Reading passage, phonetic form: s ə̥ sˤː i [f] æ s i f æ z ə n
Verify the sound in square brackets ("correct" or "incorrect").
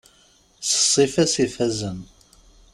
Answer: correct